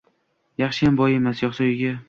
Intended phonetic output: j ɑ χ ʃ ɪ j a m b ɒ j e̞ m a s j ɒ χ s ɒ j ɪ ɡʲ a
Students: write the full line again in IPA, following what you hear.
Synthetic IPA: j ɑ χ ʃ ɪ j a m b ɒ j e̞ m a s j ɒ χ s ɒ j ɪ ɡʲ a